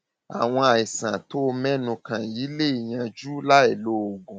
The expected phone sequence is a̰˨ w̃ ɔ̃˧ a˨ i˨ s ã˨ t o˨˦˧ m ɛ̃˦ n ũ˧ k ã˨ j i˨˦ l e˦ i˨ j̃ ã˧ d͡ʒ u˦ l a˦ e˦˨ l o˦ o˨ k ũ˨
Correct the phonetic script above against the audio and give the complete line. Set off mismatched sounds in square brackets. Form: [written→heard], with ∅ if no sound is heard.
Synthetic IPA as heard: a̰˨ w̃ ɔ̃˧ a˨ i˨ s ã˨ t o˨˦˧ m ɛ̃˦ n ũ˧ k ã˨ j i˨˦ l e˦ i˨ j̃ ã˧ d͡ʒ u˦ l a˦ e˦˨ l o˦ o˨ [k→ɡ] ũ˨